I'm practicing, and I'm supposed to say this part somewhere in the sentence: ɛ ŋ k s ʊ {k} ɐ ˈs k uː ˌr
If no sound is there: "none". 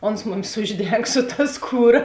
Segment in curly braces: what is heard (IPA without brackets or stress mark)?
t